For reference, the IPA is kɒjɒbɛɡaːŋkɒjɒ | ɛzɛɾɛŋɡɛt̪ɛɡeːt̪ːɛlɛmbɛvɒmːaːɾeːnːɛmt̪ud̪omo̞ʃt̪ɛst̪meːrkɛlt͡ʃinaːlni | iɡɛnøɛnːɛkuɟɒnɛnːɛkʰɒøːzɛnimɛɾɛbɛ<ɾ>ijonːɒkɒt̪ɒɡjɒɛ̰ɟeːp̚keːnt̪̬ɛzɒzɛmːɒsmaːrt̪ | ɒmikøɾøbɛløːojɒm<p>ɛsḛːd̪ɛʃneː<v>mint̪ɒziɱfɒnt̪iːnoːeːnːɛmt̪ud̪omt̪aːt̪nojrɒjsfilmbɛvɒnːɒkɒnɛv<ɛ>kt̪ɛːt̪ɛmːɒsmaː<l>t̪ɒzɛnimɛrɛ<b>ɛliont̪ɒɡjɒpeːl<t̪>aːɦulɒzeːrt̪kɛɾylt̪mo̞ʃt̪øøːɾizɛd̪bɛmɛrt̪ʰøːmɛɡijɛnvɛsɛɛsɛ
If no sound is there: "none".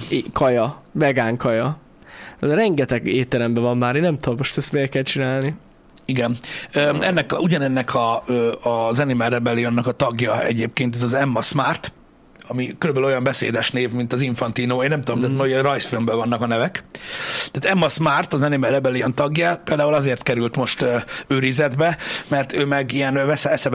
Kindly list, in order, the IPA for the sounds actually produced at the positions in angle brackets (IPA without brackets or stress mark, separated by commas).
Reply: l, b, v, ɛ, r, b, d̪